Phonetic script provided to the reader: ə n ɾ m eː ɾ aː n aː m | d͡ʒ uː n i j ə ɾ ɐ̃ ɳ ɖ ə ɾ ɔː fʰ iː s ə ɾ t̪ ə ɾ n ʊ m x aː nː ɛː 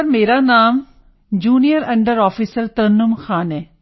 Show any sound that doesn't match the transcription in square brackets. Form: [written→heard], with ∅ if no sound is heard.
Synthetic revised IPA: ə [n→∅] ɾ m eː ɾ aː n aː m | d͡ʒ uː n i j ə ɾ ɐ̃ ɳ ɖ ə ɾ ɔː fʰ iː s ə ɾ t̪ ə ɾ n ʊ m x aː [nː→n] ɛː